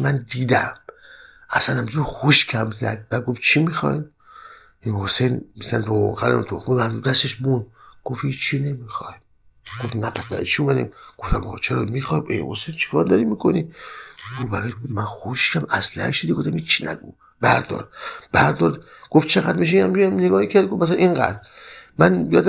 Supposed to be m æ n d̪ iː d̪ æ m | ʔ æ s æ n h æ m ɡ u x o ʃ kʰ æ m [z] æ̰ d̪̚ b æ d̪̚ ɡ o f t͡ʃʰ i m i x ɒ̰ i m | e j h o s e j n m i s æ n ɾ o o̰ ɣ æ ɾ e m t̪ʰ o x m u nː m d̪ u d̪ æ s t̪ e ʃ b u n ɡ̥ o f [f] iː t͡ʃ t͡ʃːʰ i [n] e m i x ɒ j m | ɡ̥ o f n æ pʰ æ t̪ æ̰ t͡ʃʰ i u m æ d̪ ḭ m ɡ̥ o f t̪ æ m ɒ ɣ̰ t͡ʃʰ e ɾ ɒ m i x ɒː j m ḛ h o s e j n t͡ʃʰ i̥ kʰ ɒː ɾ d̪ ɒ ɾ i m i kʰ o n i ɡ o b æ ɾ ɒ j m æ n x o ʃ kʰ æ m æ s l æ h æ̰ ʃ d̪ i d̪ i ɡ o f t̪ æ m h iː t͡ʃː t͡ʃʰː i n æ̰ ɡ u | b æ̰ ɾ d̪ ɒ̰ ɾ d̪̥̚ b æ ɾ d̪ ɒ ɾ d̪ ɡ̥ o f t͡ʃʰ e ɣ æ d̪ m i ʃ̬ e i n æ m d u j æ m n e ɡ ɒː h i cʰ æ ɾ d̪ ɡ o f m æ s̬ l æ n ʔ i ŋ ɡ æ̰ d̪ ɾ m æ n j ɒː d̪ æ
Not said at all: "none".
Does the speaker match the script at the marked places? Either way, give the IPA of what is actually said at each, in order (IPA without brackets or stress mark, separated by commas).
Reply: z, h, n